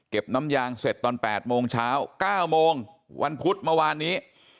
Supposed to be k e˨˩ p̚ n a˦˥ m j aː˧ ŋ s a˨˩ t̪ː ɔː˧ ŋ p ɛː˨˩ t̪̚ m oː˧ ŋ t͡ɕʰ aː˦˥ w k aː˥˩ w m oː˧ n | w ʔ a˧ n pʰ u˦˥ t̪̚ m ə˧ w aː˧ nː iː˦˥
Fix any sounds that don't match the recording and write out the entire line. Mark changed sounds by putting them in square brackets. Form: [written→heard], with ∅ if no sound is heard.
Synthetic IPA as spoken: k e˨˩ p̚ n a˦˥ m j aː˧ ŋ s [a˨˩→e˨˩] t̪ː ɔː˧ [ŋ→n] p ɛː˨˩ t̪̚ m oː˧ ŋ t͡ɕʰ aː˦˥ w k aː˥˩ w m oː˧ [n→ŋ] | w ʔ a˧ n pʰ u˦˥ t̪̚ m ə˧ w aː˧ nː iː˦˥